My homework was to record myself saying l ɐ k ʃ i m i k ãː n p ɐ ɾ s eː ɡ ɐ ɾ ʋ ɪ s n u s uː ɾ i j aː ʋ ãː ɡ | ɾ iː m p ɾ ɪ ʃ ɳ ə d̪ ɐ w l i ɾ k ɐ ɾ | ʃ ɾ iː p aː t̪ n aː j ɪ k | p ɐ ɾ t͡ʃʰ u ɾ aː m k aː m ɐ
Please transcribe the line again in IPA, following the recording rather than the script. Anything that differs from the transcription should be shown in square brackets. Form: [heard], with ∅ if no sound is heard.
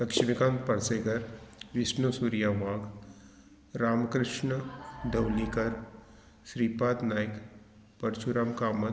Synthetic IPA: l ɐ k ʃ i m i k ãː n p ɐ ɾ s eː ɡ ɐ ɾ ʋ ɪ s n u s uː ɾ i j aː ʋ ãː ɡ | ɾ [aː] m [k] ɾ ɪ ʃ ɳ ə d̪ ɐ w l i [∅] k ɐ ɾ | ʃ ɾ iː p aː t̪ n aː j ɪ k | p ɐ ɾ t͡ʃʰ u ɾ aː m k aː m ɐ